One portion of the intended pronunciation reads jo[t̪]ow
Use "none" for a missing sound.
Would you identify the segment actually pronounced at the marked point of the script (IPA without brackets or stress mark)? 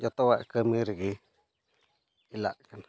t̪